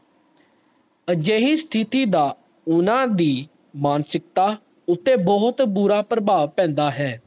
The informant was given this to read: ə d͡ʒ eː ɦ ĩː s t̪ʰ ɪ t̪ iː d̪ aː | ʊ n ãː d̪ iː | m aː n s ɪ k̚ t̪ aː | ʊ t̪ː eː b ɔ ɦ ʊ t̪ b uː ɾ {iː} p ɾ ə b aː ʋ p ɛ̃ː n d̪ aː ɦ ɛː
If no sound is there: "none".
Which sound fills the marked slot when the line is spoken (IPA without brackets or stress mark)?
aː